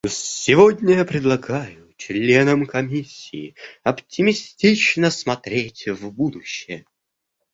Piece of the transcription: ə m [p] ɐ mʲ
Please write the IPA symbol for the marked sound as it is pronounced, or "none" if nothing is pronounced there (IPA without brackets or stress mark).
k